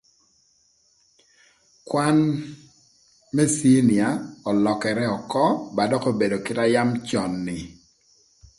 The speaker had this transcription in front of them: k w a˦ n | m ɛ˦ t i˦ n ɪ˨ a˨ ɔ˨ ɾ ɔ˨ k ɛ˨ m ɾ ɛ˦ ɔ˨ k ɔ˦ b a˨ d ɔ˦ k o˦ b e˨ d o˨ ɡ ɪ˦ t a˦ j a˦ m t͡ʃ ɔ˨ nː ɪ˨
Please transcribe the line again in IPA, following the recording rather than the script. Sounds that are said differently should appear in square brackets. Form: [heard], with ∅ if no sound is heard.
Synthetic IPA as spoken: k w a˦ n | m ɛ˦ [s] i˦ n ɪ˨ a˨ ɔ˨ [l] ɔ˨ k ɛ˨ [∅] ɾ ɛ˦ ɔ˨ k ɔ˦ b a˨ d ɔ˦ k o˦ b e˨ d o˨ [k] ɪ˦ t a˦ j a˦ m t͡ʃ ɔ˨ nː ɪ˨